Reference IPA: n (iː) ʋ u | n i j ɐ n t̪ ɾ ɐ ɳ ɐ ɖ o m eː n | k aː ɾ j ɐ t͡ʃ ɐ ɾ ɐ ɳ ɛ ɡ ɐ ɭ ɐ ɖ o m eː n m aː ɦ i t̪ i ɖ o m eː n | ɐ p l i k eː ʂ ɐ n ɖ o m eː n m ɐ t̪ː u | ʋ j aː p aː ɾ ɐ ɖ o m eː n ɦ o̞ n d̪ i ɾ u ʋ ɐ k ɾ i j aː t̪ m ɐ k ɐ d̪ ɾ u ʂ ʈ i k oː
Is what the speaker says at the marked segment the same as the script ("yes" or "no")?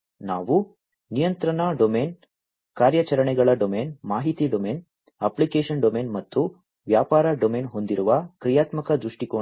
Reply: no